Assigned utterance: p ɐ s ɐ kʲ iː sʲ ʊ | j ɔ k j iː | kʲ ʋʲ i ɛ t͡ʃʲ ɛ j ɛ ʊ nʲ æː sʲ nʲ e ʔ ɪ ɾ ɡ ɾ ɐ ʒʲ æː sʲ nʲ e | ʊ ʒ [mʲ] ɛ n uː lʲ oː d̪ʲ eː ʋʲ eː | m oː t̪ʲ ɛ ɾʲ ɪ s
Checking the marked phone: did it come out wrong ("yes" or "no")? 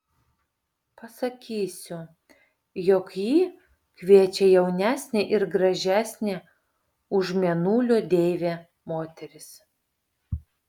no